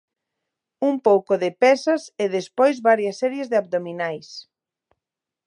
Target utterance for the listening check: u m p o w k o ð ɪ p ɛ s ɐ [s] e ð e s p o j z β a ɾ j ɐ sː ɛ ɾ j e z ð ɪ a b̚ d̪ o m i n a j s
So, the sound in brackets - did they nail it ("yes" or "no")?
yes